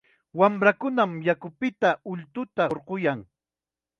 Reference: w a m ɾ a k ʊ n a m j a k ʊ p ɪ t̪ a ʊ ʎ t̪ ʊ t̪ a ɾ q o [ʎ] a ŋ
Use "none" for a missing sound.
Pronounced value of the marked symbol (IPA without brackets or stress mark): j